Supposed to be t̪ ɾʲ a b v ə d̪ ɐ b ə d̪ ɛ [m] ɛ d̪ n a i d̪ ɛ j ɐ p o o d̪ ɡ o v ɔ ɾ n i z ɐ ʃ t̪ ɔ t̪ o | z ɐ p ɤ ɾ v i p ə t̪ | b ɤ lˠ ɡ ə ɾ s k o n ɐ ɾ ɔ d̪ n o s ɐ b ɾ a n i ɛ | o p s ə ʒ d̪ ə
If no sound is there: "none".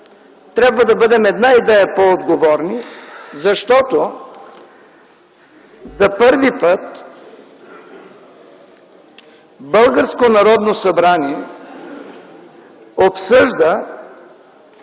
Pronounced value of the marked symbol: m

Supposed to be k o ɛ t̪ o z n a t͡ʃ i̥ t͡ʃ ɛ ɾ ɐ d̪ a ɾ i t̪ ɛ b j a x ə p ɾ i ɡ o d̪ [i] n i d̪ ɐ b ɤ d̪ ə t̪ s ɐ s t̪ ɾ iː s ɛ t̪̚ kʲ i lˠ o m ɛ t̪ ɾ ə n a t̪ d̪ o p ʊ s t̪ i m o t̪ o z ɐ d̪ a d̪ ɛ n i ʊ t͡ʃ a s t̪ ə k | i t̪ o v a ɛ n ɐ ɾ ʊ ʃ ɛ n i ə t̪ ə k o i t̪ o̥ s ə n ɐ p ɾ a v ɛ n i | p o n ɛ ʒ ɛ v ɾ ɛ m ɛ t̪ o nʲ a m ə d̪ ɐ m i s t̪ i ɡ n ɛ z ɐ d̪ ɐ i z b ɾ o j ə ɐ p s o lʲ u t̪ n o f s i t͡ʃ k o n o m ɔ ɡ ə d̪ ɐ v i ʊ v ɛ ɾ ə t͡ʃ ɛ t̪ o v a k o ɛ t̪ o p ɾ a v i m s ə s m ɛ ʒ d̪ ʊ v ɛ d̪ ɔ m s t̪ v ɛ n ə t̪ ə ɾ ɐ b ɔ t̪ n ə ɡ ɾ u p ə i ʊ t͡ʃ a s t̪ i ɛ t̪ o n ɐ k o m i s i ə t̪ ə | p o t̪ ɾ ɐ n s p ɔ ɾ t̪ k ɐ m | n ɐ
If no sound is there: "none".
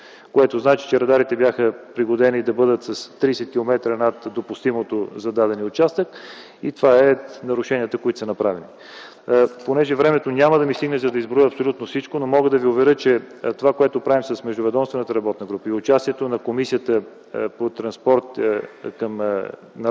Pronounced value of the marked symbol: ɛ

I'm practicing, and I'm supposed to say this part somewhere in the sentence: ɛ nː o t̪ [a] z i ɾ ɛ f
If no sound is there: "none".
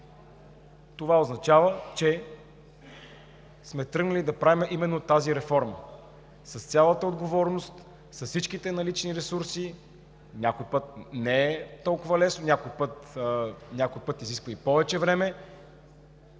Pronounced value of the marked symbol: a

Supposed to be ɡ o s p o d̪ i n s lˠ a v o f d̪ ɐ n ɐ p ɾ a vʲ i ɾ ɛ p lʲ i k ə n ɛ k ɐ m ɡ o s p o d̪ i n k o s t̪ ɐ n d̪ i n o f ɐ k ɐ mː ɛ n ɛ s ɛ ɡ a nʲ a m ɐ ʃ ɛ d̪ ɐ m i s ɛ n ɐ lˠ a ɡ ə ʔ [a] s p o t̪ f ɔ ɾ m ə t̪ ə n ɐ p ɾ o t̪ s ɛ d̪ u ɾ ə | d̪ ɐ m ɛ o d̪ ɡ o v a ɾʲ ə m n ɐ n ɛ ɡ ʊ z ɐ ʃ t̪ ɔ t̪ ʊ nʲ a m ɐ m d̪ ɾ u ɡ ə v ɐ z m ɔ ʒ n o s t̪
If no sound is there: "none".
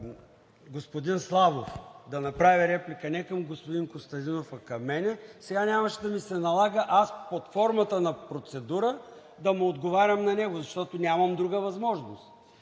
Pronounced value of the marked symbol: a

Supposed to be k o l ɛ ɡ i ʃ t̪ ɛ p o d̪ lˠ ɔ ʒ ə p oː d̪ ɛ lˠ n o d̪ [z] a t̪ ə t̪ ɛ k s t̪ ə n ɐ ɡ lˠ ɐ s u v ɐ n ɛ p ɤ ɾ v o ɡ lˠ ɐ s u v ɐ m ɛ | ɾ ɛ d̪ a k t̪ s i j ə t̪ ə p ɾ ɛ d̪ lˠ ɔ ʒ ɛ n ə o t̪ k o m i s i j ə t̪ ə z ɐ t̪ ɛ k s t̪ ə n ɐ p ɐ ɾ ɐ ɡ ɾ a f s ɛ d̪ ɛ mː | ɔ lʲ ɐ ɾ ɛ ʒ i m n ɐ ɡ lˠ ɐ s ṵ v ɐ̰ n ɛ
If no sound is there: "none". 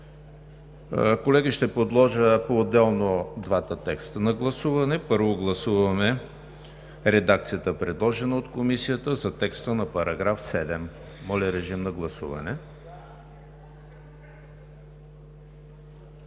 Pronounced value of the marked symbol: v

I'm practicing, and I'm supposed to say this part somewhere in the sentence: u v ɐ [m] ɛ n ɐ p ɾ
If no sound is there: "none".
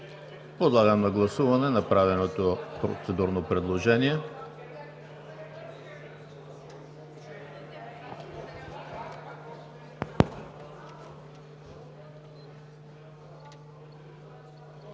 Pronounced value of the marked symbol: n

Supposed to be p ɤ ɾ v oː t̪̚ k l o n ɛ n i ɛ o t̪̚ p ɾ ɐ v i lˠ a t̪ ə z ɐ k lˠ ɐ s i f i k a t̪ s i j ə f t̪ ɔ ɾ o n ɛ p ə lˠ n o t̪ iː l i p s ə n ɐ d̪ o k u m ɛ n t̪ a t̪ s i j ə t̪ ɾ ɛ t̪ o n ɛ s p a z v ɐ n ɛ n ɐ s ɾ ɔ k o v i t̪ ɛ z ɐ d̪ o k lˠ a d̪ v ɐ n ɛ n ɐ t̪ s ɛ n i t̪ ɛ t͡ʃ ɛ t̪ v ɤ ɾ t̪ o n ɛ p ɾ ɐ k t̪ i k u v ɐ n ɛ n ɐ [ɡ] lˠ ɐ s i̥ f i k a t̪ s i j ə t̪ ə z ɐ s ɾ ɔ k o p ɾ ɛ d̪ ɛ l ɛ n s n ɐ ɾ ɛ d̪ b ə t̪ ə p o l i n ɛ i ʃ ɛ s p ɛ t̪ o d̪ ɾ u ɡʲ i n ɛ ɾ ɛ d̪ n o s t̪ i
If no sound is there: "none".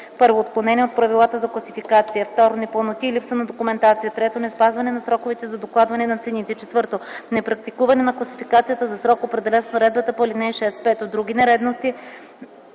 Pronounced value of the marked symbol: k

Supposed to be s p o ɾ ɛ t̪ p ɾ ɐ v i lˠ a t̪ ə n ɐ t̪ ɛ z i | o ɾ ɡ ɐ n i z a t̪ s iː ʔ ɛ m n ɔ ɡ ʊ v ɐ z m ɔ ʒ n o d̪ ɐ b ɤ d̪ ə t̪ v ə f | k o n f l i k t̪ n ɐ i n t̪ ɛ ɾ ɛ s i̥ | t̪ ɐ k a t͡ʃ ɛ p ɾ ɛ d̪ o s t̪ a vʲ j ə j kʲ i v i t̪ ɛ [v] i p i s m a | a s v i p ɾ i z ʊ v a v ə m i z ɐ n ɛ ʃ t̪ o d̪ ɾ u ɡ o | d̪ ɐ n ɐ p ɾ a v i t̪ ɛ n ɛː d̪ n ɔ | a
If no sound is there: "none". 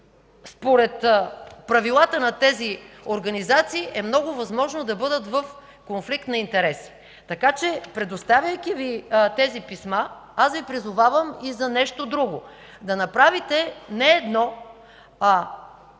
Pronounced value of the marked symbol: z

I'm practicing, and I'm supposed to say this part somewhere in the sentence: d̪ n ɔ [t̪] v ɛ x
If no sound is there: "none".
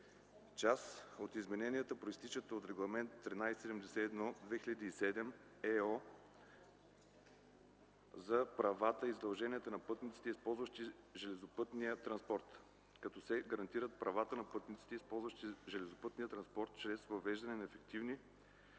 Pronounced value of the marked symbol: d̪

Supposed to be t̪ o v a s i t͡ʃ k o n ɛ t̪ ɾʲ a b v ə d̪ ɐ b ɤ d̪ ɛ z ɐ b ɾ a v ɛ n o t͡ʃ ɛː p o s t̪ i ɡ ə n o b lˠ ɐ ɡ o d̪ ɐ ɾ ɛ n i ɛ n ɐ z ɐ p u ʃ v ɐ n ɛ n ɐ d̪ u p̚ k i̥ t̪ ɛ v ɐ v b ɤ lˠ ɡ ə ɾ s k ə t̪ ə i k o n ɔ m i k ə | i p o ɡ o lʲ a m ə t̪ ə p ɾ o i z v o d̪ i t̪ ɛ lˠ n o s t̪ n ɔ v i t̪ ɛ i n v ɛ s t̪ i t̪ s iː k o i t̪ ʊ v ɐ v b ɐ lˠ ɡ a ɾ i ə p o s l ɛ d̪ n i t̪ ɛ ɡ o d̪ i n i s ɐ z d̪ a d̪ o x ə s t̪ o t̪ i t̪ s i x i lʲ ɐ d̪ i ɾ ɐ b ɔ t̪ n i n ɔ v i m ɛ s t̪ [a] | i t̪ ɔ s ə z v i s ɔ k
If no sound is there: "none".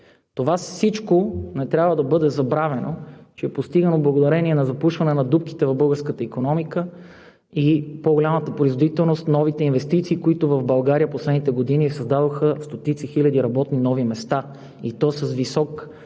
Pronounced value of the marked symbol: a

